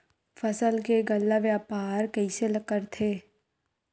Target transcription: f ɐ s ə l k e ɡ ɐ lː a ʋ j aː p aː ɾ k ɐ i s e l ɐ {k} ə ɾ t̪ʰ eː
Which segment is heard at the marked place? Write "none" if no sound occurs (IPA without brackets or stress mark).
k